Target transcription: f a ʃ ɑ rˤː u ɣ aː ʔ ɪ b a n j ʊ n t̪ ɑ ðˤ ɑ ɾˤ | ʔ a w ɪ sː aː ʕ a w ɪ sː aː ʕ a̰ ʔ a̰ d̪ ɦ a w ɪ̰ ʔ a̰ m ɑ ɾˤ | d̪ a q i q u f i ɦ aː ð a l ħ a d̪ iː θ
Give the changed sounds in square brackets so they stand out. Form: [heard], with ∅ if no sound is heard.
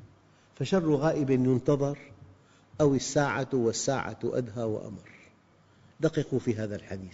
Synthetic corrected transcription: f a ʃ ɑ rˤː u ɣ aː ʔ ɪ b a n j ʊ n t̪ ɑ ðˤ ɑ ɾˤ | ʔ a w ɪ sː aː ʕ a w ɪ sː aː ʕ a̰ ʔ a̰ d̪ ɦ a w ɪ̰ ʔ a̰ m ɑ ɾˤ | d̪ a q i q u f i ɦ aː ð a l ħ a d̪ iː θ